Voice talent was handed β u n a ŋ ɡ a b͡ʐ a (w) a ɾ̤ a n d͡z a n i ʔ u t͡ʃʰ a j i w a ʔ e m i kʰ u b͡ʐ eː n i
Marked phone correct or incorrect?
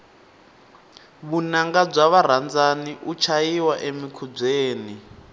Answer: incorrect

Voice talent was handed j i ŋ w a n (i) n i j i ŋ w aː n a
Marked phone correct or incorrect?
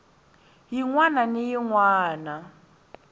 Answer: incorrect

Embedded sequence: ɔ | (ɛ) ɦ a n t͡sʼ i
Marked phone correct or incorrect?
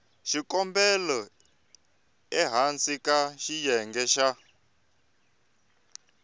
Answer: correct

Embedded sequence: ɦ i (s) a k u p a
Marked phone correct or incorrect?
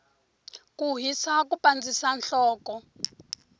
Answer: correct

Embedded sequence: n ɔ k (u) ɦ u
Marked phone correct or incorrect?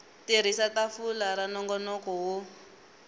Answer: incorrect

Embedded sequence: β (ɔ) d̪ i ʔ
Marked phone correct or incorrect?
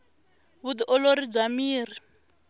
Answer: incorrect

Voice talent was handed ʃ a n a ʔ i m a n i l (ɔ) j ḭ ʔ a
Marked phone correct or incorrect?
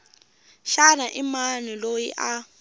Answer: incorrect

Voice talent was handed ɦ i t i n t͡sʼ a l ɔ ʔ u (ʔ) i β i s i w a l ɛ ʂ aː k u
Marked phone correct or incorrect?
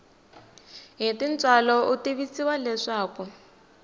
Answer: incorrect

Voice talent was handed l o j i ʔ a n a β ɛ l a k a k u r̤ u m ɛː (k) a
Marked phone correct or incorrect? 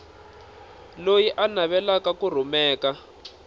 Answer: correct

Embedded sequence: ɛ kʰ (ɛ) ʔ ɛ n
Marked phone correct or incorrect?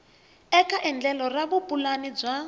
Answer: incorrect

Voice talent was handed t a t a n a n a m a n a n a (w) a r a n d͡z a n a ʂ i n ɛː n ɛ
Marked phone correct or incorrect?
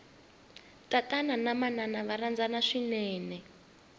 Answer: incorrect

